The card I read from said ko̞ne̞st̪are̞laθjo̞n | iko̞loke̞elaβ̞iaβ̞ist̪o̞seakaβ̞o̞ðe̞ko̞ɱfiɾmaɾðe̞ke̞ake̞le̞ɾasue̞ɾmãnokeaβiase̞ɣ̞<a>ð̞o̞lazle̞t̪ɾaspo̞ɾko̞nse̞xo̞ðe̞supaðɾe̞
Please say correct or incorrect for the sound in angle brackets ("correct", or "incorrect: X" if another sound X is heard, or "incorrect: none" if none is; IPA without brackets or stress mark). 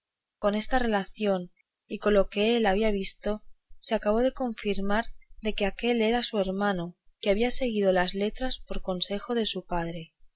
incorrect: i